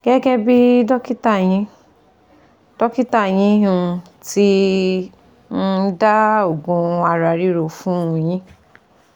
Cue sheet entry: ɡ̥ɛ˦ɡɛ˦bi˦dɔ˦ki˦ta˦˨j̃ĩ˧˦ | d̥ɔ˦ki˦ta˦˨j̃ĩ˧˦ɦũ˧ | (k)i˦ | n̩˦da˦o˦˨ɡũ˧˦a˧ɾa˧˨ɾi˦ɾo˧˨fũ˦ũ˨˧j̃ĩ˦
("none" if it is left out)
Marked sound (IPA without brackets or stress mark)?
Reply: t